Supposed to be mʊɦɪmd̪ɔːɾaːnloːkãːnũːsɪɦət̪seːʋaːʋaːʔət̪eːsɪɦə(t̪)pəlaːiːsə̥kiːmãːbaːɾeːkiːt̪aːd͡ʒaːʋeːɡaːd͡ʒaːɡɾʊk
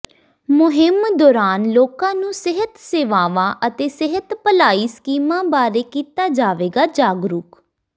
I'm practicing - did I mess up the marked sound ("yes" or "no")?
no